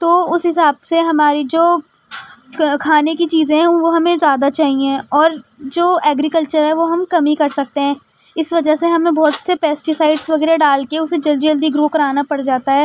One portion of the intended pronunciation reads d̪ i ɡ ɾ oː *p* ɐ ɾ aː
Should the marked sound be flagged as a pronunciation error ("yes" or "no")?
yes